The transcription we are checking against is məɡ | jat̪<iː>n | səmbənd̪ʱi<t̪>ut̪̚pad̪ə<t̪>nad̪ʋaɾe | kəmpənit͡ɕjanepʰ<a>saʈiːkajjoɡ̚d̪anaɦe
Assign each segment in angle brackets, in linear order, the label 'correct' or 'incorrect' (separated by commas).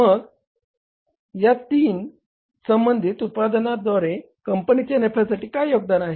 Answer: correct, correct, incorrect, correct